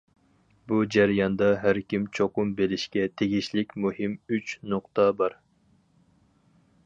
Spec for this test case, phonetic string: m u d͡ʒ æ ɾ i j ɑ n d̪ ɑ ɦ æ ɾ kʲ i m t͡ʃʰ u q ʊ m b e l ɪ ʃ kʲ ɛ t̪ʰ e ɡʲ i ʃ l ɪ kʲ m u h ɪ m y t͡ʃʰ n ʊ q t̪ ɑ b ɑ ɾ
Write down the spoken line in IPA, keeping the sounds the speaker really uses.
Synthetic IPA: b u d͡ʒ æ ɾ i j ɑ n d̪ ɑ ɦ æ ɾ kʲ i m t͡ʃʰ o q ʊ m b e l ɪ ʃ kʲ ɛ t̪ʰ e ɡʲ i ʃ l ɪ kʲ m u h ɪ m y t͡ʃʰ n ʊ q t̪ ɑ b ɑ ɾ